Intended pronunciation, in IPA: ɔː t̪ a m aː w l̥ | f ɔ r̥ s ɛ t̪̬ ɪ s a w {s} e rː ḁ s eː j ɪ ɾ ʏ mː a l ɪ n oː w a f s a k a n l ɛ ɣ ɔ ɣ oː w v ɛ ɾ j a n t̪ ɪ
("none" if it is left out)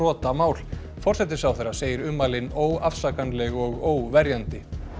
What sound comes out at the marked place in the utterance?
θ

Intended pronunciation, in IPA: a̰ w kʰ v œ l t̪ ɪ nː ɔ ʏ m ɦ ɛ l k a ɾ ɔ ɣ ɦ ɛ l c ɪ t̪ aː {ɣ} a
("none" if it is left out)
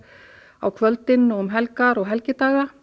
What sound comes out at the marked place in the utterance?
ɣ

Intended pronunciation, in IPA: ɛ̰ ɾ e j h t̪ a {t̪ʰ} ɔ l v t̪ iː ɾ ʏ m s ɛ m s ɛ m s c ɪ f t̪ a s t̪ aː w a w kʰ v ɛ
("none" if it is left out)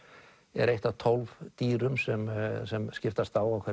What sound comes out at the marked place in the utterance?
t̪ʰ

